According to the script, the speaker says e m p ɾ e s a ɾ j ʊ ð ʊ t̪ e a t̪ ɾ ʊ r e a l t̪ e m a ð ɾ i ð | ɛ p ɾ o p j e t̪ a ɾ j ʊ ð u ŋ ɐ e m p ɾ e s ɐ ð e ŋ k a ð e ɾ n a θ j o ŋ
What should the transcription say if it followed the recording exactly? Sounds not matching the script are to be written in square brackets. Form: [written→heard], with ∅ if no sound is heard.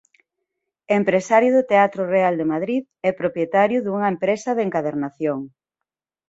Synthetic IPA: e m p ɾ e s a ɾ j ʊ ð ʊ t̪ e a t̪ ɾ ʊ r e a l [t̪→d̪] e m a ð ɾ i ð | ɛ p ɾ o p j e t̪ a ɾ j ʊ ð u ŋ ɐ e m p ɾ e s ɐ ð e ŋ k a ð e ɾ n a θ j o ŋ

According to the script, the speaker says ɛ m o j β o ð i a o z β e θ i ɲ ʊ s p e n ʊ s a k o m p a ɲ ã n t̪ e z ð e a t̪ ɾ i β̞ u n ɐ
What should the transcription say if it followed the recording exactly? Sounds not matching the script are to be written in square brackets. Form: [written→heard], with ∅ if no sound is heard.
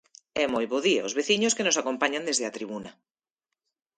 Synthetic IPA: ɛ m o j β o ð i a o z β e θ i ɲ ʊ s [p→k] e n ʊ s a k o m p a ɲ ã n [t̪→d̪] e z ð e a t̪ ɾ i β̞ u n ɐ

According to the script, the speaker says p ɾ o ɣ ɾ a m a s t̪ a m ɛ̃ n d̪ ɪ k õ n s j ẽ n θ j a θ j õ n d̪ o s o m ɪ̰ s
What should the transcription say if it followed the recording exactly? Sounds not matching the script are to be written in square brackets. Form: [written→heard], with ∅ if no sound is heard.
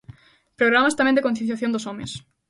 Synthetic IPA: p ɾ o ɣ ɾ a m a s t̪ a m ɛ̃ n d̪ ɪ k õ n [s→θ] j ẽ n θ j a θ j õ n d̪ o s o m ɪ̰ s

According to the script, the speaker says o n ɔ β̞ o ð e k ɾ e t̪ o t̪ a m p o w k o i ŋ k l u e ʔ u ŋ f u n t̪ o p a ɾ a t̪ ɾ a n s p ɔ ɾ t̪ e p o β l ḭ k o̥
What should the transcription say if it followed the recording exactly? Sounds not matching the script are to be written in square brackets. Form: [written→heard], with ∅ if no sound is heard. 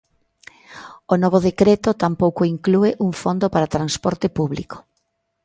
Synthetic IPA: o n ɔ β̞ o ð e k ɾ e t̪ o t̪ a m p o w k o i ŋ k l u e ʔ u ŋ f [u→o] n [t̪→d̪] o p a ɾ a t̪ ɾ a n s p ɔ ɾ t̪ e p [o→u] β l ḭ k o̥

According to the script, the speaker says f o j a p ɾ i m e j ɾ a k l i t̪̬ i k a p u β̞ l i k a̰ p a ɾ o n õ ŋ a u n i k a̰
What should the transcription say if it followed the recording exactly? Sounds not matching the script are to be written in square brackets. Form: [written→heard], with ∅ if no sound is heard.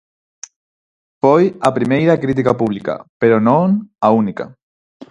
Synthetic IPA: f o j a p ɾ i m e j ɾ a k [l→ɾ] i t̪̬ i k a p u β̞ l i k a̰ p [a→e] ɾ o n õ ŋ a u n i k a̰

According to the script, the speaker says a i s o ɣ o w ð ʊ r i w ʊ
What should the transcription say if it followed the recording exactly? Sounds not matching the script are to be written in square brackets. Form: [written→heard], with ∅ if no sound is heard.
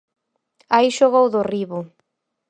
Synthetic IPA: a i [s→ʃ] o ɣ o w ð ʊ r i [w→β] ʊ

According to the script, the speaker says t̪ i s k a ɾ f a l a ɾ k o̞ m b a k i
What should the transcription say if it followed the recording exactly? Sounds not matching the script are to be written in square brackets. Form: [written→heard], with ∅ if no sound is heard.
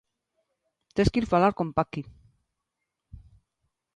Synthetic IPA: t̪ [i→e] s k [a→i] ɾ f a l a ɾ k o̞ m [b→p] a k i

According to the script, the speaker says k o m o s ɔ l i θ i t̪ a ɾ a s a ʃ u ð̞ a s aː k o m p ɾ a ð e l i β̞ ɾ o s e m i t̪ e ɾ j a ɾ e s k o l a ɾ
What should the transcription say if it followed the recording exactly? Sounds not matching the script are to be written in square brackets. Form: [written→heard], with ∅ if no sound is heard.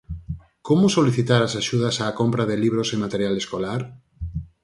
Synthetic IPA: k o m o s [ɔ→o] l i θ i t̪ a ɾ a s a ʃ u ð̞ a s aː k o m p ɾ a ð e l i β̞ ɾ o s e m [i→a] t̪ e ɾ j a [ɾ→l] e s k o l a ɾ

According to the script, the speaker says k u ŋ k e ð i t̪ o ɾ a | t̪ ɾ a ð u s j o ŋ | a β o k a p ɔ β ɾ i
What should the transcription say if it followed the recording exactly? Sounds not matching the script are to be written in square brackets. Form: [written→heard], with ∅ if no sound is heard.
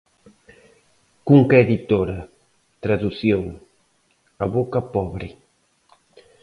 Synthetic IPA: k u ŋ k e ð i t̪ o ɾ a | t̪ ɾ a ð u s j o ŋ | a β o k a p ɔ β ɾ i

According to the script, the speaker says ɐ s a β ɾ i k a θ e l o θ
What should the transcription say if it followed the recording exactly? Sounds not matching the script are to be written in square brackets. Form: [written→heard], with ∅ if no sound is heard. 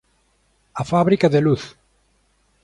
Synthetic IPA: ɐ [s→f] a β ɾ i k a [θ→ð] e l [o→u] θ

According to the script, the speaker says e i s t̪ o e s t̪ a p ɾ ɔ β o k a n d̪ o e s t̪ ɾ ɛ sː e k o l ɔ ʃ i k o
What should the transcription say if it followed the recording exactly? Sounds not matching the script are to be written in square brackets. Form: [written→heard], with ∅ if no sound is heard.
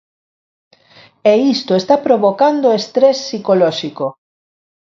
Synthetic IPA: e i s t̪ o e s t̪ a p ɾ [ɔ→o] β o k a n d̪ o e s t̪ ɾ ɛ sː [e→i] k o l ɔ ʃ i k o

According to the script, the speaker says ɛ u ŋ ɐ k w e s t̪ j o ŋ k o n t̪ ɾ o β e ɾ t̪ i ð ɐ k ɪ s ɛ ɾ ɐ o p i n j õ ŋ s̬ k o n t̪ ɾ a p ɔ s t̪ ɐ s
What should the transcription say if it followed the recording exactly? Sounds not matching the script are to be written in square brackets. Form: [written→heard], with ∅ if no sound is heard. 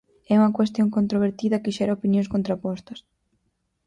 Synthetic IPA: ɛ u ŋ ɐ k w e s t̪ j o ŋ k o n t̪ ɾ o β e ɾ t̪ i ð ɐ k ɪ [s→ʃ] ɛ ɾ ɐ o p i n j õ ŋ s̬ k o n t̪ ɾ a p ɔ s t̪ ɐ s

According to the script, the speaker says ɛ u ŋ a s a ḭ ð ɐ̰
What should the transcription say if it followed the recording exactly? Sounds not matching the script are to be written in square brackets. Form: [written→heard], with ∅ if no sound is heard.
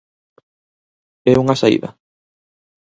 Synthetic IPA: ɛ u ŋ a s a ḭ ð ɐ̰

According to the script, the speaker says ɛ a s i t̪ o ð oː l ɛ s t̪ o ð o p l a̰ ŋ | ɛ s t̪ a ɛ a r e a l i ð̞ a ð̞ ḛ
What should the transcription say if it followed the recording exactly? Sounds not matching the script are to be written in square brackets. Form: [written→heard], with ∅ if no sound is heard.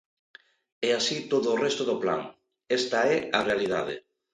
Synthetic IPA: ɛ a s i t̪ o ð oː [l→r] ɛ s t̪ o ð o p l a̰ ŋ | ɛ s t̪ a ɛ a r e a l i ð̞ a ð̞ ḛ

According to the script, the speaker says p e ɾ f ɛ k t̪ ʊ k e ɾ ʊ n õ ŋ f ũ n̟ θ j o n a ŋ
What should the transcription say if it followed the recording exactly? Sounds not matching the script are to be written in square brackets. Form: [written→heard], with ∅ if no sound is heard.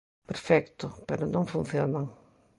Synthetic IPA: p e ɾ f ɛ k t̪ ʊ [k→p] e ɾ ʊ n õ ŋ f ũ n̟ θ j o n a ŋ

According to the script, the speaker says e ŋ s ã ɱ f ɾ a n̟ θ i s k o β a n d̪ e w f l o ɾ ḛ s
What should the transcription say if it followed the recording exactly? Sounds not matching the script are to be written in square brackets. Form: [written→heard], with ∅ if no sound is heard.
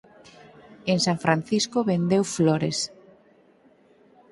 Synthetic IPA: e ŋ s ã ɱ f ɾ a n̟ θ i s k o β [a→e] n d̪ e w f l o ɾ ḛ s

